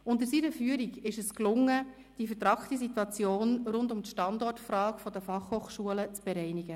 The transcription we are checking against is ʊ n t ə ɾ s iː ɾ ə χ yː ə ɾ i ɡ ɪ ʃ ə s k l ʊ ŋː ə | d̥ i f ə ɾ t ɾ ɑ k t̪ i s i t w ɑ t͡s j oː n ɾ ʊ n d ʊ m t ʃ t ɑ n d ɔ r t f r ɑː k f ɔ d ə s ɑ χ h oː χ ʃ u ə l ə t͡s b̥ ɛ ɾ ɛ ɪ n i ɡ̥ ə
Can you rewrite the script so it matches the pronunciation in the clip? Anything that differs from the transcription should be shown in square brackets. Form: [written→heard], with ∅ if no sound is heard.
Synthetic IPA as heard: ʊ n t ə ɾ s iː ɾ ə [χ→f] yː ə ɾ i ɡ ɪ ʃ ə s k l ʊ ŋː ə | d̥ i f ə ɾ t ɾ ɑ k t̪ i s i t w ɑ t͡s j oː n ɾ ʊ n d ʊ m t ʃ t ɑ n d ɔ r t f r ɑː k f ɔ d ə [s→f] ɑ χ h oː χ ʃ u ə l ə t͡s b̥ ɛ ɾ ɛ ɪ n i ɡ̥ ə